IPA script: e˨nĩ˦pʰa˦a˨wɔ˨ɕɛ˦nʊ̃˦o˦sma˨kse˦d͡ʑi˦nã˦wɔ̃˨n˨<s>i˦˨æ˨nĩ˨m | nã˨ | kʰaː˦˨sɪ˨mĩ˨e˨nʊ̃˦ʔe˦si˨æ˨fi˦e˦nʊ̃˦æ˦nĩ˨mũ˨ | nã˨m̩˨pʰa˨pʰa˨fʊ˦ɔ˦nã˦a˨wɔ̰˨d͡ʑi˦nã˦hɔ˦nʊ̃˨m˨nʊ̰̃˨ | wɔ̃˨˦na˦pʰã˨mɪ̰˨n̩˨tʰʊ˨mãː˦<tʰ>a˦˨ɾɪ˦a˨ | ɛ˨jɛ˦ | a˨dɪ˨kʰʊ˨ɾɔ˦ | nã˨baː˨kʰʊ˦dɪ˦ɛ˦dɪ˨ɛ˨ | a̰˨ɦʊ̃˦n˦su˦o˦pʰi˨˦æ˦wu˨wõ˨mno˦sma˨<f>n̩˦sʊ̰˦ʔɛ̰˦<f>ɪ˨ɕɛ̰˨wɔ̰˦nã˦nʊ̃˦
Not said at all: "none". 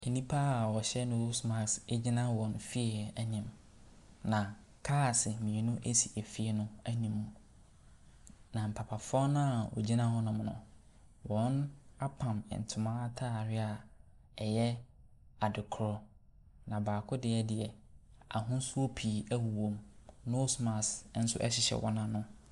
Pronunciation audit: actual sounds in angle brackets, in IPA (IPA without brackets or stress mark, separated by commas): f, tʰ, s, ɕ